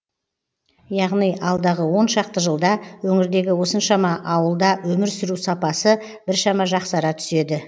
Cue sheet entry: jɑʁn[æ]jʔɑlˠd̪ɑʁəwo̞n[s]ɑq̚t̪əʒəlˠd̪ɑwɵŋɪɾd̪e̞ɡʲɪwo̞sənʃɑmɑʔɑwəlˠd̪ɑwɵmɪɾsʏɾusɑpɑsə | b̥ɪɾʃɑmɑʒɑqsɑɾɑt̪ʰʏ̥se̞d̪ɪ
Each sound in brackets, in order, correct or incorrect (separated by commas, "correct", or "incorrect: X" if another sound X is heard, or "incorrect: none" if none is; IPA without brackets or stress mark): incorrect: i, incorrect: ʃ